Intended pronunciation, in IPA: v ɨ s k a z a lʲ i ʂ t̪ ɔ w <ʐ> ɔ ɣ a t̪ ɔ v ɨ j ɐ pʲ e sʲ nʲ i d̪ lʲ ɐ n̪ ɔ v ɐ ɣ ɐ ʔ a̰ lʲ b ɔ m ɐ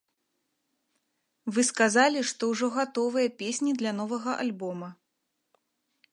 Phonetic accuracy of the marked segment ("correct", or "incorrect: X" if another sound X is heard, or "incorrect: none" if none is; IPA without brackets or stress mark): correct